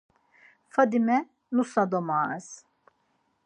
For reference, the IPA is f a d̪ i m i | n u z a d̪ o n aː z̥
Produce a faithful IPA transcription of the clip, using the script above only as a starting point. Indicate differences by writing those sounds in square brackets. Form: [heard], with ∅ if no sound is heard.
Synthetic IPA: f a d̪ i m [ɛ] | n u [s] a d̪ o [m] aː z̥